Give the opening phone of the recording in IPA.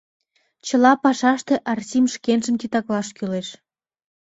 t͡ɕ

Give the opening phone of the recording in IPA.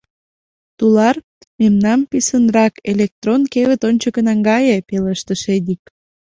t̪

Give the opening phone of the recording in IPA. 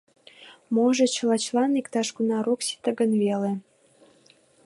m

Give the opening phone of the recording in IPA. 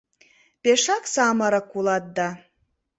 p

